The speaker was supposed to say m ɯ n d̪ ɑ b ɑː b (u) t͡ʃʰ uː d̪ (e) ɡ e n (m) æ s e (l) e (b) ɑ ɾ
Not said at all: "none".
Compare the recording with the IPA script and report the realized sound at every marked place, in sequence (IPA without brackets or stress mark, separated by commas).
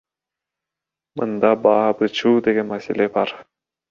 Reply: ɯ, e, m, l, b